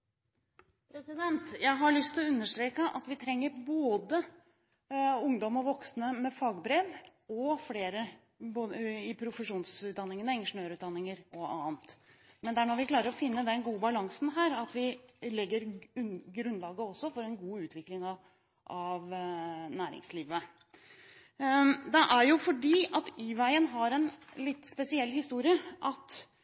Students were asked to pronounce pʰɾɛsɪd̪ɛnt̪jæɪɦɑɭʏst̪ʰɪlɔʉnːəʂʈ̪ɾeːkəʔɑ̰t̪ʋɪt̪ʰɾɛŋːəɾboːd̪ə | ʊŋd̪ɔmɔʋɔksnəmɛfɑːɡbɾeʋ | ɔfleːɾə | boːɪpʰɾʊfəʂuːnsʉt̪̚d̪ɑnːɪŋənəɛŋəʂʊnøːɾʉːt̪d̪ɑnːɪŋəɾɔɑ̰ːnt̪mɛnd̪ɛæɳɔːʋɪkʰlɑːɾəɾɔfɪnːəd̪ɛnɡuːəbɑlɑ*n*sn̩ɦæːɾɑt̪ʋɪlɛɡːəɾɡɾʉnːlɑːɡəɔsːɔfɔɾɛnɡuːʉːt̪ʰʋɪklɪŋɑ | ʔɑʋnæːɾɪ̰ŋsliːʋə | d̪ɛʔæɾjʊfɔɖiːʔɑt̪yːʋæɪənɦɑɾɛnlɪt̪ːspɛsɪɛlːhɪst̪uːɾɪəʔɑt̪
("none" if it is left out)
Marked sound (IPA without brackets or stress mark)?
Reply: ŋ